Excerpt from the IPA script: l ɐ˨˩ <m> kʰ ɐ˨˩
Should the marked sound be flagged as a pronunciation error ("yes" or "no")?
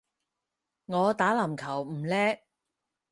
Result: no